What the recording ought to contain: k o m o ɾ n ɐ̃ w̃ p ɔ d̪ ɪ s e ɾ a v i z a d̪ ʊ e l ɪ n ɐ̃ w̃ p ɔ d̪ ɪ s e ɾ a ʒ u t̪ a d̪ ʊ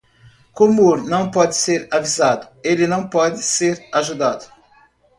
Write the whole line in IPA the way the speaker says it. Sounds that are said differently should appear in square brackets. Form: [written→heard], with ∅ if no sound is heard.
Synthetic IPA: k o m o ɾ n ɐ̃ w̃ p ɔ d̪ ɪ s e ɾ a v i z a d̪ ʊ e l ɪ n ɐ̃ w̃ p ɔ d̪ ɪ s e ɾ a ʒ u [t̪→d̪] a d̪ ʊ